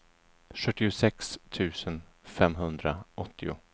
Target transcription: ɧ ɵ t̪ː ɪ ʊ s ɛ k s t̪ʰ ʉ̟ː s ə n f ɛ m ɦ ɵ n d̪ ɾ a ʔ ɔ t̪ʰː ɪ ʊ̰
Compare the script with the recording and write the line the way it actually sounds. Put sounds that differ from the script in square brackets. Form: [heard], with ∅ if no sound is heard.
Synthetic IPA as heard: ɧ ɵ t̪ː ɪ ʊ s ɛ k s t̪ʰ ʉ̟ː s ə n f ɛ m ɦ ɵ n d̪ ɾ a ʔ ɔ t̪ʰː ɪ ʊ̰